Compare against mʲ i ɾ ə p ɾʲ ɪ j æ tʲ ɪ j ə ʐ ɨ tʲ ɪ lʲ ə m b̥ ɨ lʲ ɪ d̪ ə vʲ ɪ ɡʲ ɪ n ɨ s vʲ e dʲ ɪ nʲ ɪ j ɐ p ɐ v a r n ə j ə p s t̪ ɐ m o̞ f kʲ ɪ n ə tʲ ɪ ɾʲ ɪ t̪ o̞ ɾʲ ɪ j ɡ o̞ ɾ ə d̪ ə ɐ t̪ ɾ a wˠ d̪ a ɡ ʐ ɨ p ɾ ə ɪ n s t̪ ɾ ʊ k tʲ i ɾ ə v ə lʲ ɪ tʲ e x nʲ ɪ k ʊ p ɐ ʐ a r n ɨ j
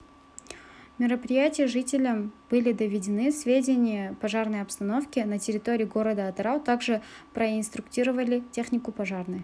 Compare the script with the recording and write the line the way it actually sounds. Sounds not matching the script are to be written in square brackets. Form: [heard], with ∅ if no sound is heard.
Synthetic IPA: mʲ [ɪ] ɾ ə p ɾʲ ɪ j æ tʲ ɪ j ə ʐ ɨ tʲ ɪ lʲ ə m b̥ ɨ lʲ ɪ d̪ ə vʲ ɪ [dʲ] ɪ n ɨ s vʲ e dʲ ɪ nʲ ɪ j [ə] p ɐ [ʐ] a r n ə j [ɐ] p s t̪ ɐ [n] o̞ f kʲ ɪ n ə tʲ ɪ ɾʲ ɪ t̪ o̞ ɾʲ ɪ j ɡ o̞ ɾ ə d̪ ə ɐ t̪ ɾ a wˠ [t̪] a ɡ ʐ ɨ p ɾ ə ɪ n s t̪ ɾ ʊ k tʲ i ɾ ə v ə lʲ ɪ tʲ e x nʲ ɪ k ʊ p ɐ ʐ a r n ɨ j